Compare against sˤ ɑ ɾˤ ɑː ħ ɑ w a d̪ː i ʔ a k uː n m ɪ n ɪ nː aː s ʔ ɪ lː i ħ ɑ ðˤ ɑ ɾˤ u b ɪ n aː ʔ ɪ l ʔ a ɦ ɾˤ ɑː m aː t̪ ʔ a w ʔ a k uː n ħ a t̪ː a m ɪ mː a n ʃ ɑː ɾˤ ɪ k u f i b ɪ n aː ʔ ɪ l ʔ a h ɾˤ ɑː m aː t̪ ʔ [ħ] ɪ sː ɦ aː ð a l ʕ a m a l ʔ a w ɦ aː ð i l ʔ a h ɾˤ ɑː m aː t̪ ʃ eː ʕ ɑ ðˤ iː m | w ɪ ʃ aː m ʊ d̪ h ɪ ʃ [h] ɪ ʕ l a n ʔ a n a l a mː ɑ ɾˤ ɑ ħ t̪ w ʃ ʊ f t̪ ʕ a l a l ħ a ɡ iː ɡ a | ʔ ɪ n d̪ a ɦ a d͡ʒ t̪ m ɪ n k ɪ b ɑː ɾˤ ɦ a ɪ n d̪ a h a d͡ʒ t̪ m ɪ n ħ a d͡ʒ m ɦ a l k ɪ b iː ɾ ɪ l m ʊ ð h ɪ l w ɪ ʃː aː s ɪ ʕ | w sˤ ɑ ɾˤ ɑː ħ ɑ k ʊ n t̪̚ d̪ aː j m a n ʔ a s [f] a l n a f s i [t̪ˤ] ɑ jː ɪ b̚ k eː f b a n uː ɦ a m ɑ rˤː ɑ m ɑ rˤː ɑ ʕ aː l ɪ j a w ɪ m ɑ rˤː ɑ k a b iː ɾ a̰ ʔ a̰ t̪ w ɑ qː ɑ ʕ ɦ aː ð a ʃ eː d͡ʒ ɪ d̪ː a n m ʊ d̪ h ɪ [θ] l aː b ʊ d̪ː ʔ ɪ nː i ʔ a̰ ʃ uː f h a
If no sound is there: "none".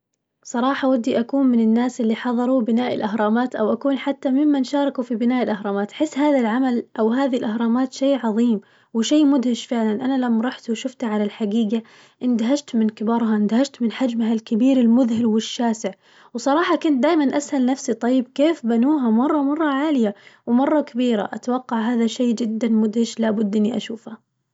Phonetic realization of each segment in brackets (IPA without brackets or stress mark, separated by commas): ħ, f, h, t̪ˤ, ʃ